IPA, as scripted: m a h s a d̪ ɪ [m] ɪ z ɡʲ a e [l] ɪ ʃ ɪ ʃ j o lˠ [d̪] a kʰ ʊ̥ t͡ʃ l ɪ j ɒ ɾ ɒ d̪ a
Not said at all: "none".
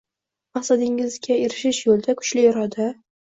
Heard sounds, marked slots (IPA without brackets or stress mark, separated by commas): ŋ, ɾ, d̪